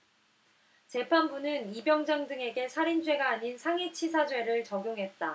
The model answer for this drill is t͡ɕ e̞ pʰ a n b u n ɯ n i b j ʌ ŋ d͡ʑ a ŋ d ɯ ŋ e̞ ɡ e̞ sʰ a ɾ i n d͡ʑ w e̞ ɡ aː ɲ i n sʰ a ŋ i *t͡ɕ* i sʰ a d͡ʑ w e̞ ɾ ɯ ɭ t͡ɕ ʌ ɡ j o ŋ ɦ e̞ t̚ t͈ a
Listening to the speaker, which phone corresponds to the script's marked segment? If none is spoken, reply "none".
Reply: t͡ɕʰ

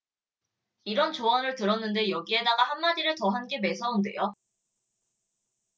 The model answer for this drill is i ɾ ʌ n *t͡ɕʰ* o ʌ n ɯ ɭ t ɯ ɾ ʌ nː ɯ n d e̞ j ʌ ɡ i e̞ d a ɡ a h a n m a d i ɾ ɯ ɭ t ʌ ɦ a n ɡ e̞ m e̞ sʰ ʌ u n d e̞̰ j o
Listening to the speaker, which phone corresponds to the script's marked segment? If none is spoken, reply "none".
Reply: t͡ɕ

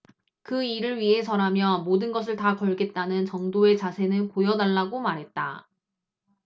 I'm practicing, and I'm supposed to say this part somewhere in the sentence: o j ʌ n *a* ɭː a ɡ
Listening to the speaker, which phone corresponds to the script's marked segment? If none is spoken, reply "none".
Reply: a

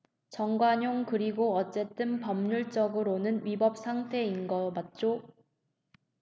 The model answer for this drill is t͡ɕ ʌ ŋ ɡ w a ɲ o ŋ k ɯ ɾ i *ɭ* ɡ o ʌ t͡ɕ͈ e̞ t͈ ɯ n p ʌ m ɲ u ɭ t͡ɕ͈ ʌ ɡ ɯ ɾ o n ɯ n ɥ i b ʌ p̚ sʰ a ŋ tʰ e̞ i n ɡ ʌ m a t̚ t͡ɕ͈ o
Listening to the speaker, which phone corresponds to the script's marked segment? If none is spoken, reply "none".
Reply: none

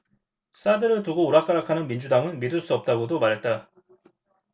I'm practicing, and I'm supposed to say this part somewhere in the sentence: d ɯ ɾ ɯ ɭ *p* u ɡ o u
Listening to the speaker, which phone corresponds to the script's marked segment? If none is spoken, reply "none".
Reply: t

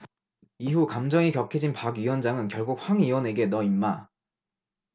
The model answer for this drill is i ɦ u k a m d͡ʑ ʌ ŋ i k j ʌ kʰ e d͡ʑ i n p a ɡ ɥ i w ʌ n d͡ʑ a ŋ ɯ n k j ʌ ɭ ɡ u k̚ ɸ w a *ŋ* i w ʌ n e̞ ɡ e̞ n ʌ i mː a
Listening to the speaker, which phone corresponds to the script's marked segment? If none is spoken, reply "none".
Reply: ŋ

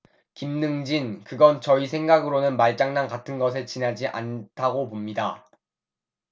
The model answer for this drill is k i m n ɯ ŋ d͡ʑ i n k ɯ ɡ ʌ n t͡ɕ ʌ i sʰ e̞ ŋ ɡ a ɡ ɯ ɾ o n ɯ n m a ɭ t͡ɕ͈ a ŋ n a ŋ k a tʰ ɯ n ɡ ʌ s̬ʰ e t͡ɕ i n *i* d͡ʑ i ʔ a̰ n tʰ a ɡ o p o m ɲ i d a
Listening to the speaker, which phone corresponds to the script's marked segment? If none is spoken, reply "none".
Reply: a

